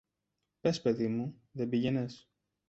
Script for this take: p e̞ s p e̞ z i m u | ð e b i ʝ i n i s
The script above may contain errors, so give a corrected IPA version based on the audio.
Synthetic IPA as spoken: p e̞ s p e̞ ð i m u | ð e b i ʝ e n e s